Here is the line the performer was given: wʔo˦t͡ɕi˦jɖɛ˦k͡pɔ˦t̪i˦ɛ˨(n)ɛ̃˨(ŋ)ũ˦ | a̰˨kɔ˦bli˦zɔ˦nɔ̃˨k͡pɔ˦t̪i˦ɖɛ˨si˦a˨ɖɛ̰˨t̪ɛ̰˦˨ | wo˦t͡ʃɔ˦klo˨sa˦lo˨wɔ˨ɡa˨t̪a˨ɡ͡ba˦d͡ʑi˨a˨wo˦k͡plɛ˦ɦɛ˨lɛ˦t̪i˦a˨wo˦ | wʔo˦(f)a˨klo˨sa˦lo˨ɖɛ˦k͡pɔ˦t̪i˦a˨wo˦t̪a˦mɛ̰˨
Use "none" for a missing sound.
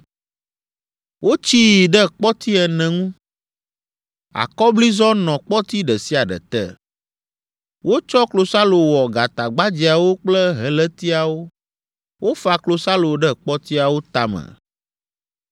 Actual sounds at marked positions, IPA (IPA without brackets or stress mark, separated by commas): n, ŋ, f